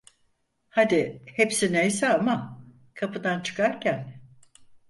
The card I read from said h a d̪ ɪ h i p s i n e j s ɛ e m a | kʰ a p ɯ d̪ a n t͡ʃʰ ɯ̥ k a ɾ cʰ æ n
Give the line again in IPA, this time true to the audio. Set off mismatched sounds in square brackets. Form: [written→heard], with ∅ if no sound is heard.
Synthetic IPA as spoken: h a d̪ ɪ h [i→e] p s i n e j s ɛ [e→a] m a | kʰ a p ɯ d̪ a n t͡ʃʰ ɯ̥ k a ɾ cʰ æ n